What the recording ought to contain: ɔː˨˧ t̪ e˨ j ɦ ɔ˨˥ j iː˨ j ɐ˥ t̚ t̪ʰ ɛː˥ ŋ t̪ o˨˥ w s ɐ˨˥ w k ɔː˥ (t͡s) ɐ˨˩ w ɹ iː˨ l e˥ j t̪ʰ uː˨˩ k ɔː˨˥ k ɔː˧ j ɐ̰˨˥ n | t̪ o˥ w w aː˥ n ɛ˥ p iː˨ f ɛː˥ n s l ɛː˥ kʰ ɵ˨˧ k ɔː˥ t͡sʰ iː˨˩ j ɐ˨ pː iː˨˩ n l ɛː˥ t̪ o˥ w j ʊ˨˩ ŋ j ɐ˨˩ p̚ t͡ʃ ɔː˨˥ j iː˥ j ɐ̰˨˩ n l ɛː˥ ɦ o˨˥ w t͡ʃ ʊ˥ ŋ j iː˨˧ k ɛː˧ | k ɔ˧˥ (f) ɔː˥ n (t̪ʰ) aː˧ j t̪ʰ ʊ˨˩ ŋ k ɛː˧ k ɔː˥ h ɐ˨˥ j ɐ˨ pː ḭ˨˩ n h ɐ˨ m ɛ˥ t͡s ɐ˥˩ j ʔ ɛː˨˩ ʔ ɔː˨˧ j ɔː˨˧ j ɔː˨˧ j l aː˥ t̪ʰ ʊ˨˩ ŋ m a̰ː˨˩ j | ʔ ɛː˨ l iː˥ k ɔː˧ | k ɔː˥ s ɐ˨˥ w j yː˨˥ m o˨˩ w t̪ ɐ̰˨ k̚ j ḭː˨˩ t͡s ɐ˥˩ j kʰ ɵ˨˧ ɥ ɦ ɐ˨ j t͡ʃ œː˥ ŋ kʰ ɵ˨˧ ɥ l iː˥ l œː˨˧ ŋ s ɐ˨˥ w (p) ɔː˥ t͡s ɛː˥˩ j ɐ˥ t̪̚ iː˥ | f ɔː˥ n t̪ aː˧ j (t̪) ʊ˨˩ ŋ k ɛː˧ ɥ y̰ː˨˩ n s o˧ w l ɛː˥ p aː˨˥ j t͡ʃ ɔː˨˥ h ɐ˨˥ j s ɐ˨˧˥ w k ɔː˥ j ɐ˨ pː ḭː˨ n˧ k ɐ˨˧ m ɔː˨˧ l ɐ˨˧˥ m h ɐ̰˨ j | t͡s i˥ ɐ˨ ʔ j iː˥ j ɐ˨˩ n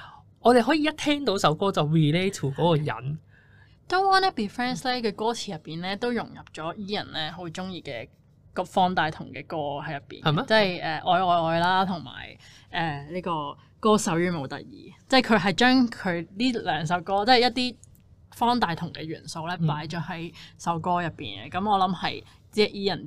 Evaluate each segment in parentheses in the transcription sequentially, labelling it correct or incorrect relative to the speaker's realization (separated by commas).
correct, correct, incorrect, incorrect, incorrect